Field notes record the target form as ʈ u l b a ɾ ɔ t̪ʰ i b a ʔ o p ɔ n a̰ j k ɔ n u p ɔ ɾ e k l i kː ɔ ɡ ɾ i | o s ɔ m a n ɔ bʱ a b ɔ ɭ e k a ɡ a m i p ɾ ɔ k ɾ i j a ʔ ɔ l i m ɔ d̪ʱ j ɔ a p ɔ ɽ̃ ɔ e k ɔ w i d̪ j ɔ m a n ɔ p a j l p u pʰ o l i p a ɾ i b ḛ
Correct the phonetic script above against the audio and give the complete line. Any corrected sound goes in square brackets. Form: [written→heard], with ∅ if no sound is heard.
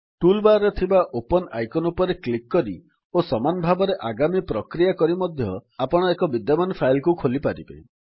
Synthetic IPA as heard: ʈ u l b a ɾ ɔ t̪ʰ i b a ʔ o p ɔ n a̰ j k ɔ n u p ɔ ɾ e k l i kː ɔ [ɡ→∅] ɾ i | o s ɔ m a n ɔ bʱ a b ɔ [ɭ→ɾ] e [k→ʔ] a ɡ a m i p ɾ ɔ k ɾ i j a [ʔ→k] ɔ [l→ɾ] i m ɔ d̪ʱ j ɔ a p ɔ ɽ̃ ɔ e k ɔ [w→b] i d̪ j ɔ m a n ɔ [p→pʰ] a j l [p→k] u [pʰ→kʰ] o l i p a ɾ i b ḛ